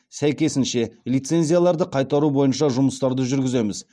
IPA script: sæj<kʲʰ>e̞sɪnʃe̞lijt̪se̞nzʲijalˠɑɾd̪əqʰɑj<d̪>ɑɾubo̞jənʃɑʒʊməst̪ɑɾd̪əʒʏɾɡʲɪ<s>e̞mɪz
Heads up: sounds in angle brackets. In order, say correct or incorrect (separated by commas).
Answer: incorrect, incorrect, incorrect